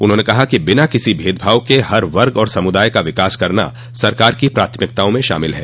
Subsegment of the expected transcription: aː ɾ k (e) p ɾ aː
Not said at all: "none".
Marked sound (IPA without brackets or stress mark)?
i